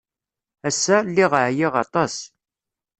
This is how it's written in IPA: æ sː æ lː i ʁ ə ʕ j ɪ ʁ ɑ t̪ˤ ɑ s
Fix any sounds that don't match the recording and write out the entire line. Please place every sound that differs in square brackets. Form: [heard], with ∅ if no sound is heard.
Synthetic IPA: æ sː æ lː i ʁ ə ʕ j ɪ ʁ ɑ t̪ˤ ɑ s